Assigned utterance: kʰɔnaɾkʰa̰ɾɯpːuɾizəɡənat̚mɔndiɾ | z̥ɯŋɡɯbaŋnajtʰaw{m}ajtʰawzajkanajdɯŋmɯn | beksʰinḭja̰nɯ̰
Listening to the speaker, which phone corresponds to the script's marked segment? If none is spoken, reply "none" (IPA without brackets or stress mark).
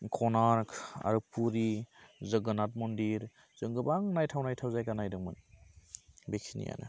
n